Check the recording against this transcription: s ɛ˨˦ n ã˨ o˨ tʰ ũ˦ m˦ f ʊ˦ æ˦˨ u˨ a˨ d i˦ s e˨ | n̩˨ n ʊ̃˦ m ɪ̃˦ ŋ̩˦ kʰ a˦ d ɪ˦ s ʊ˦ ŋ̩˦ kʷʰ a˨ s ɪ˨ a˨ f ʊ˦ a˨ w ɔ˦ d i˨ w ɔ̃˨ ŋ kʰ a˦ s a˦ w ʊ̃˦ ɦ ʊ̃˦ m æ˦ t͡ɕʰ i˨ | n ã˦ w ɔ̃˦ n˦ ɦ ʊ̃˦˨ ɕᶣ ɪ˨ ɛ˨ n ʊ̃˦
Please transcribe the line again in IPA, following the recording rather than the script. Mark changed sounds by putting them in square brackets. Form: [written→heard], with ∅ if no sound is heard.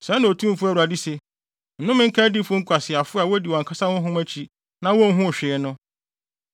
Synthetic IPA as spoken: s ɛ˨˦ n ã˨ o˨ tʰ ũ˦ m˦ f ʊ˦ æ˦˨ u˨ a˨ d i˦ s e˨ | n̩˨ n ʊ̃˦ m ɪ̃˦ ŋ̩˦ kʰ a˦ d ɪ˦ [s→f] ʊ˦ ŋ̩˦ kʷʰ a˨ s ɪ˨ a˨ f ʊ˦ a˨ w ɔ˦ d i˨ w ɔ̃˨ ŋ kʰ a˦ s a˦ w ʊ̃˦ ɦ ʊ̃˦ m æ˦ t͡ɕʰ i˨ | n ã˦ w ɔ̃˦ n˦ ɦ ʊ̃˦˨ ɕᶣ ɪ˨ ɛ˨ n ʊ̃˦